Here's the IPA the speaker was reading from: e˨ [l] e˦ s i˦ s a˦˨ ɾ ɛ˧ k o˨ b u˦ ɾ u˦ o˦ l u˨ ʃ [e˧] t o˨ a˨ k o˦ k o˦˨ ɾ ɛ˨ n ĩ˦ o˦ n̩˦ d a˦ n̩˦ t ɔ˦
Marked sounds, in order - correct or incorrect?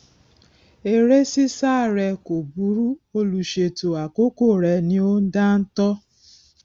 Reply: incorrect: ɾ, correct

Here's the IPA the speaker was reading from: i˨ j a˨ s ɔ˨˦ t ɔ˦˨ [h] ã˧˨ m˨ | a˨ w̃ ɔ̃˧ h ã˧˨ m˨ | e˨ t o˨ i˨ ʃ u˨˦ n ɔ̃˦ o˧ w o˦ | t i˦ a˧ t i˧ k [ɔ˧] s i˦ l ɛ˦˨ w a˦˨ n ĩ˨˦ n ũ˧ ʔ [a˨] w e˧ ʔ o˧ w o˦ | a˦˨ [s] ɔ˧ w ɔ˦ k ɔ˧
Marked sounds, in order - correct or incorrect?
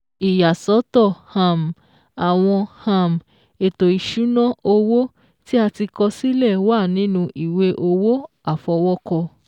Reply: correct, correct, incorrect: i˨, incorrect: f

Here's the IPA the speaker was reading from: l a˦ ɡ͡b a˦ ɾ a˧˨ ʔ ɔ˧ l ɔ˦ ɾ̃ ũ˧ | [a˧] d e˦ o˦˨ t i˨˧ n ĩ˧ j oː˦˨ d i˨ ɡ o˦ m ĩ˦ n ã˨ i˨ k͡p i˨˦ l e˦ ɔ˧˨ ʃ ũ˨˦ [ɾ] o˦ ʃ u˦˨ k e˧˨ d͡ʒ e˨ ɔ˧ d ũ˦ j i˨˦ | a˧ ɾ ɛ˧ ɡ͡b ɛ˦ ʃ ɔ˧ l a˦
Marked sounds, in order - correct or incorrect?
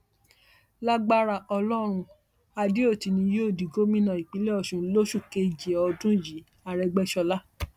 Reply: correct, incorrect: l

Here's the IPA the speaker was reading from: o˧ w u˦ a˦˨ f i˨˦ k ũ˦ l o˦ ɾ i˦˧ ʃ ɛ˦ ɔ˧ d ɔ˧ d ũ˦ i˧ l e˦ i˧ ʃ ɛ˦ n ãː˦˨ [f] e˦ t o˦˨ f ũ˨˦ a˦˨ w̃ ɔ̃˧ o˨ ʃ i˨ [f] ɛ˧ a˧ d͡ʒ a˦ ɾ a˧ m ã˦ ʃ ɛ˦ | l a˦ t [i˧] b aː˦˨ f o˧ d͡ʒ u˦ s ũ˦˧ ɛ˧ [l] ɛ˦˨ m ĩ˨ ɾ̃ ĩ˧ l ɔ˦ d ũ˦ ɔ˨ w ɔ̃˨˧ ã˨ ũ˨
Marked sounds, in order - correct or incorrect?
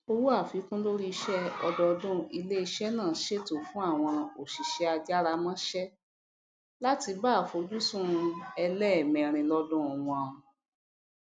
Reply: incorrect: ʃ, incorrect: ʃ, correct, correct

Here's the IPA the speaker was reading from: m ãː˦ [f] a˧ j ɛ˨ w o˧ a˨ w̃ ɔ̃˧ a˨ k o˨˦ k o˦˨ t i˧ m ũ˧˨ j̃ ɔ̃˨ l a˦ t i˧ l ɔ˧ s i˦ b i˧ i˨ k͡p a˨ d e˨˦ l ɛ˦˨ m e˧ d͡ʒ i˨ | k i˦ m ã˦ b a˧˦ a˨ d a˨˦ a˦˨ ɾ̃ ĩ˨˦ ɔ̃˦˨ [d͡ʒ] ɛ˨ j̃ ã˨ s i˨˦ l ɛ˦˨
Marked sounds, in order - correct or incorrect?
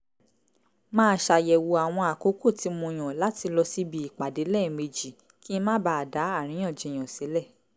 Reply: incorrect: ʃ, correct

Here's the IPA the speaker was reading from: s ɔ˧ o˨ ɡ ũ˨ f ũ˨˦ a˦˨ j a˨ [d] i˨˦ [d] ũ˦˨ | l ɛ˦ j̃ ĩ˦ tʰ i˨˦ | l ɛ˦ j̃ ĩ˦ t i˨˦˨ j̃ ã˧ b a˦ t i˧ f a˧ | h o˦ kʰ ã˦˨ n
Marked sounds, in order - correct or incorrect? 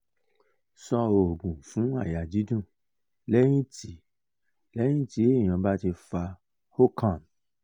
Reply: incorrect: d͡ʒ, correct

